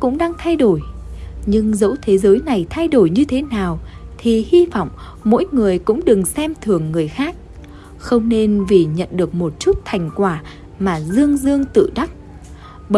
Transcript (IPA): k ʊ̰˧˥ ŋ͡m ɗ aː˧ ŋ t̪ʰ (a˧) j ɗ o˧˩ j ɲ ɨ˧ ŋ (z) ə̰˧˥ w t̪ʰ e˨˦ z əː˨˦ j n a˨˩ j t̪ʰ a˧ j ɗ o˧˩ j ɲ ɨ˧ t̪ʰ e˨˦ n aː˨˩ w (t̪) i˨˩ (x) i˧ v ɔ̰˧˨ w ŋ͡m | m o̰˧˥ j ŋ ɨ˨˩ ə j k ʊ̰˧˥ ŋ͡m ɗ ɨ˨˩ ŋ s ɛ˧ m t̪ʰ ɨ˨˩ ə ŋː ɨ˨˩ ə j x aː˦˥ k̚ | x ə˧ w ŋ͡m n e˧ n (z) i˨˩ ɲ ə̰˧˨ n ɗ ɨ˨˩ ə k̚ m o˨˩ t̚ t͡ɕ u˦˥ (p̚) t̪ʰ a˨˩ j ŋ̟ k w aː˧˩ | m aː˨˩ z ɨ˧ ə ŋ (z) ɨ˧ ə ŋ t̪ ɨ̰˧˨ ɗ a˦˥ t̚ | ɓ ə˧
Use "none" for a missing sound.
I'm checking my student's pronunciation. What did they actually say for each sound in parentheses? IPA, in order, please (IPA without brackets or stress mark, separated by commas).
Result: a˧, z, t̪ʰ, h, v, t̚, z